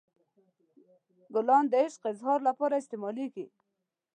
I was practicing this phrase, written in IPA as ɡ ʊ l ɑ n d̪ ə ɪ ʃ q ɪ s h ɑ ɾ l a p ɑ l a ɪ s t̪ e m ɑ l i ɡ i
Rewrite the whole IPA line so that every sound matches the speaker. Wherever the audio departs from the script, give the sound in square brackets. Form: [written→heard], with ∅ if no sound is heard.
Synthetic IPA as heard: ɡ ʊ l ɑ n d̪ ə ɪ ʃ q ɪ [s→z] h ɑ ɾ l a p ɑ [l→ɾ] a ɪ s t̪ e m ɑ l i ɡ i

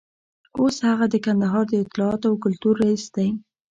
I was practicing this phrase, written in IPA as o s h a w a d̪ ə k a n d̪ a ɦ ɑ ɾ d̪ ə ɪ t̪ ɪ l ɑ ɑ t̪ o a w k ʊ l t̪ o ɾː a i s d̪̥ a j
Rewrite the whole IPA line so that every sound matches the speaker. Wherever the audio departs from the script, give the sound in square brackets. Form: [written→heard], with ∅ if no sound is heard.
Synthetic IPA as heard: o s h a [w→ɣ] a d̪ ə k a n d̪ a ɦ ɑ ɾ d̪ ə ɪ t̪ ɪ l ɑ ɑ t̪ o a w k ʊ l t̪ [o→u] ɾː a i s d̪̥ a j

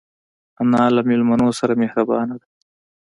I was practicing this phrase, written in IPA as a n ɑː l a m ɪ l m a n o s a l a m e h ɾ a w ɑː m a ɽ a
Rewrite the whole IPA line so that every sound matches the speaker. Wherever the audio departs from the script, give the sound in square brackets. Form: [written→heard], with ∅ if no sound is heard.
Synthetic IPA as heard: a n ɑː l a m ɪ l m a n o s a [l→ɾ] a m e h ɾ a [w→b] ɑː [m→n] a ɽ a

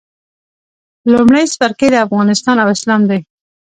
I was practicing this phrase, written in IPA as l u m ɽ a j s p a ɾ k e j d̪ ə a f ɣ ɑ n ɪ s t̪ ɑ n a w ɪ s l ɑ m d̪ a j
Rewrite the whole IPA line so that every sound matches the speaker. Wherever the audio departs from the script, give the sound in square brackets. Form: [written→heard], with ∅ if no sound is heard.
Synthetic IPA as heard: l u m ɽ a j s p a ɾ k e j d̪ ə a f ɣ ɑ n ɪ s t̪ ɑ n a w ɪ s l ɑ m d̪ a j

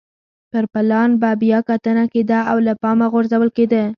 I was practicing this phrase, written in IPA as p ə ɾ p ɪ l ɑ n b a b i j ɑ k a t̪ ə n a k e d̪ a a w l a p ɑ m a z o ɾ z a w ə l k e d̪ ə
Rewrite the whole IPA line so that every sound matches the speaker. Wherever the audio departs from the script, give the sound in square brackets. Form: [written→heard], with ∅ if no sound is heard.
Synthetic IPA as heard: p ə ɾ p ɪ l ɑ n b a b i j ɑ k a t̪ ə n a k e d̪ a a w l a p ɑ m a [z→ɣ] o ɾ z a w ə l k e d̪ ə

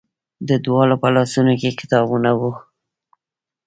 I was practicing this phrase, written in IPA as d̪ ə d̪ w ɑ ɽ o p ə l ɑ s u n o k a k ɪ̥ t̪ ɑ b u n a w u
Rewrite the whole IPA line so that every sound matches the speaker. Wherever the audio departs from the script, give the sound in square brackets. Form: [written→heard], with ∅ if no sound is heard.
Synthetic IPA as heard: d̪ ə d̪ w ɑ [ɽ→l] o p ə l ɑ s u n o k [a→e] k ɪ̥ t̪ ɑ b u n a w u

